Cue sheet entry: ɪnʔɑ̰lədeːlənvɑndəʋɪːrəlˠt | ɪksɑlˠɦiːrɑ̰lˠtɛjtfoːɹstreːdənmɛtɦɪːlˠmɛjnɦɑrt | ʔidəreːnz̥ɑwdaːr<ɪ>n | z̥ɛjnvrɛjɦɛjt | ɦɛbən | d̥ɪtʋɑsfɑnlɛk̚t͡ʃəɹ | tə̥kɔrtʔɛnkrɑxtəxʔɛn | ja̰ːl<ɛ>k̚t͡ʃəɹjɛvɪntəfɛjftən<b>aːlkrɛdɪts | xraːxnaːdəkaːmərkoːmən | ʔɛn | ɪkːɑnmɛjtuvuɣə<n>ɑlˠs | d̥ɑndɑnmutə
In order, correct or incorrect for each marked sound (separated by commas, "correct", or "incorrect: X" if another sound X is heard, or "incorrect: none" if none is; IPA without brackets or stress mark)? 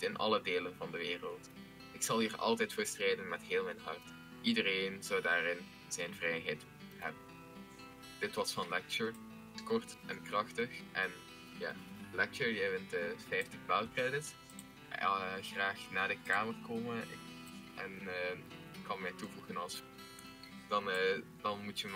correct, correct, correct, correct